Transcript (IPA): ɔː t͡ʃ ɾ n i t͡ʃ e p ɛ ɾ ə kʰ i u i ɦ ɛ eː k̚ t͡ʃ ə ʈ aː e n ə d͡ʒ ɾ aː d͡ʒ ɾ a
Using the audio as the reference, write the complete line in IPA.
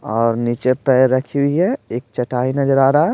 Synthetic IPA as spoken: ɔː ɾ n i t͡ʃ e p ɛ ɾ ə kʰ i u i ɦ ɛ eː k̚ t͡ʃ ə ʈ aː i n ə d͡ʒ ɾ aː ɾ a